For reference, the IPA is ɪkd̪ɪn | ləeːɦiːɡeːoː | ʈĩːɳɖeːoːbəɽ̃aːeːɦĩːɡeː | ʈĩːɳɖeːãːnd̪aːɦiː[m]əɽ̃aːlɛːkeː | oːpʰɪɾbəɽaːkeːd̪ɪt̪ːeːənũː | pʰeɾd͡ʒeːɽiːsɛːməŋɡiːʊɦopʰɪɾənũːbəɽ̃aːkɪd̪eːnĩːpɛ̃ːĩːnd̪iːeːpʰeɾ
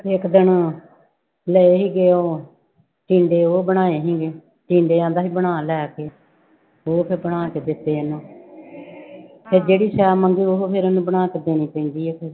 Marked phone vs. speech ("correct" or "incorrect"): incorrect